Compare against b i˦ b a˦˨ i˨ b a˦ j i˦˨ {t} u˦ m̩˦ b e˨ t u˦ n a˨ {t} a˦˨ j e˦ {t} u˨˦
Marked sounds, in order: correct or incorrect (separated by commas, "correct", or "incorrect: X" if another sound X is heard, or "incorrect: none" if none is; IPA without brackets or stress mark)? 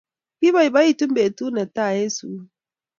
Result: correct, correct, incorrect: s